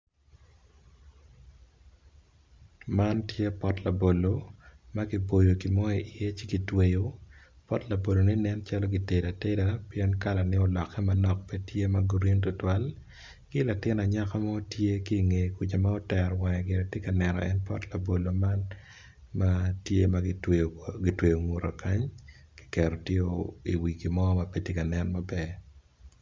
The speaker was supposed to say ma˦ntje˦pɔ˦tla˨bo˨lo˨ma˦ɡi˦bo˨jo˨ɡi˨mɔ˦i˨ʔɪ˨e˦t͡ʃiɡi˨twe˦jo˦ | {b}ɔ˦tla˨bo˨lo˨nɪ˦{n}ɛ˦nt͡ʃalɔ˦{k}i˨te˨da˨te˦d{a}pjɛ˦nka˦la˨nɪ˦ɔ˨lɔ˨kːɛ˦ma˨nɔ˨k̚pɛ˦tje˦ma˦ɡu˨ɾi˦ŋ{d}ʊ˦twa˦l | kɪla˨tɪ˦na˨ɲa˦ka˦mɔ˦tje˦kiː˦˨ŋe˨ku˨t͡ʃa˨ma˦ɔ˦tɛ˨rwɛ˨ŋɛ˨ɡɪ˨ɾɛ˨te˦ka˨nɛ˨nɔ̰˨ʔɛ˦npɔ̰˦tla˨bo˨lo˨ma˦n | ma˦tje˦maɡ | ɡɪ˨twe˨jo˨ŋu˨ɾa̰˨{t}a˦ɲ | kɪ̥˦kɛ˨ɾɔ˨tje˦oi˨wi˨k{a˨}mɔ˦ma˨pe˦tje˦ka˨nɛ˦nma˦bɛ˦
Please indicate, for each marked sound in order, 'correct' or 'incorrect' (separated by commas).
incorrect, correct, incorrect, correct, incorrect, incorrect, incorrect